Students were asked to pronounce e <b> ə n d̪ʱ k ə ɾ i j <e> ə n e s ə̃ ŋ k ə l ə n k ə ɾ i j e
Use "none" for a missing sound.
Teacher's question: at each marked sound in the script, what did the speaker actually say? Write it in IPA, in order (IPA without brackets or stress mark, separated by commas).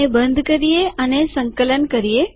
b, e